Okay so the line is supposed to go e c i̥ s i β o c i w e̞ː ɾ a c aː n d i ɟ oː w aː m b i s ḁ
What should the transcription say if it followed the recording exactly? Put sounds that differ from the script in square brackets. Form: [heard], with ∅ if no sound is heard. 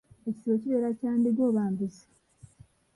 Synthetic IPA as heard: e c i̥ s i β o c i [β] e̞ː ɾ a c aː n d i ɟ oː [β] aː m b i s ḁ